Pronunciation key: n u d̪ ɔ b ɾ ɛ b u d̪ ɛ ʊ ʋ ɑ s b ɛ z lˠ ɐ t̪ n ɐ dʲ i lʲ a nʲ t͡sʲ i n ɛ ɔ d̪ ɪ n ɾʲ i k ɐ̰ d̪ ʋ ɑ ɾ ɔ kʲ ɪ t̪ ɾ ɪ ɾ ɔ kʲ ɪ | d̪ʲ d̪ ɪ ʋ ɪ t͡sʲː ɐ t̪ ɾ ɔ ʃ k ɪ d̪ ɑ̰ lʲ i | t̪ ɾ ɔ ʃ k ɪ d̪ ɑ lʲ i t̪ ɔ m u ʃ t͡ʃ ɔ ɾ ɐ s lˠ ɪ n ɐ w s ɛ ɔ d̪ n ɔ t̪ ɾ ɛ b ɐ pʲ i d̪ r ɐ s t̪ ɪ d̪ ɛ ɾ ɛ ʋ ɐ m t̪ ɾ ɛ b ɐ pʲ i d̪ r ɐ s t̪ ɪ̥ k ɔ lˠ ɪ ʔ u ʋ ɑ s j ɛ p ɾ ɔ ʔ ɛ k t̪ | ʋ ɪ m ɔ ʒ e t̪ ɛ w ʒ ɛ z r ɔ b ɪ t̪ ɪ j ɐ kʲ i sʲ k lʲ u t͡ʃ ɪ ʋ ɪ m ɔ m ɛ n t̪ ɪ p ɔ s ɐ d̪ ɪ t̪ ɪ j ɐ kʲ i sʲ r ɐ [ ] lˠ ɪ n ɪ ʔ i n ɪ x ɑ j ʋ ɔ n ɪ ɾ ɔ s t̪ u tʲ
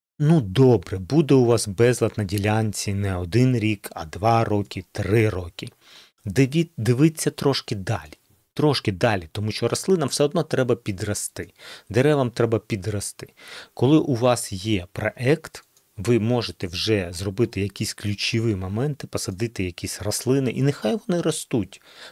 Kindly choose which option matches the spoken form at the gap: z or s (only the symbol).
s